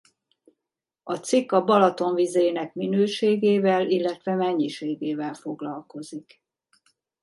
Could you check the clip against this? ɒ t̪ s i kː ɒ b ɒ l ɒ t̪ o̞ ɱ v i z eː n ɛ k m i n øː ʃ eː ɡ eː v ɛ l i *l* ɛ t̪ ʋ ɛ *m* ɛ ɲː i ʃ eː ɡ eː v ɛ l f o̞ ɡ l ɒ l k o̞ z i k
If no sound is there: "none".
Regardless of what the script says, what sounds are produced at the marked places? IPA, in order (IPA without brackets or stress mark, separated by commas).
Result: lː, m